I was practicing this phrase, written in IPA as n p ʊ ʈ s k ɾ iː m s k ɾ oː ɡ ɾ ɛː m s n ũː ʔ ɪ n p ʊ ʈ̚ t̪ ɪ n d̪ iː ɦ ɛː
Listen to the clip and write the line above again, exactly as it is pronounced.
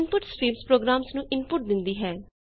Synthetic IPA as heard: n p ʊ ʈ s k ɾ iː m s p ɾ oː ɡ ɾ aː m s n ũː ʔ ɪ n p ʊ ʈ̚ d̪ ɪ n d̪ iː ɦ ɛː